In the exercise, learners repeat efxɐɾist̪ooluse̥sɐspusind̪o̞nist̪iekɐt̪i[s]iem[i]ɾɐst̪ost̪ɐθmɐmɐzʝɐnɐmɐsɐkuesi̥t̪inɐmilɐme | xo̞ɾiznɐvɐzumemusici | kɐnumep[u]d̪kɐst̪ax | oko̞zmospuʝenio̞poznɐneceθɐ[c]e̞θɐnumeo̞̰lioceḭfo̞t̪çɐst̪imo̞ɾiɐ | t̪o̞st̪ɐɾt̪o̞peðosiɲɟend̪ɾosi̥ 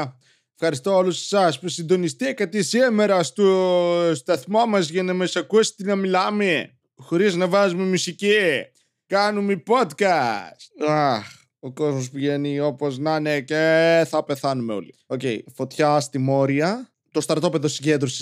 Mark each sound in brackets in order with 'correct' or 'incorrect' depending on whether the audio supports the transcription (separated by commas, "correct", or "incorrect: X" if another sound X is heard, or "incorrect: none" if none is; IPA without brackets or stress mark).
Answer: correct, incorrect: e, incorrect: o, incorrect: p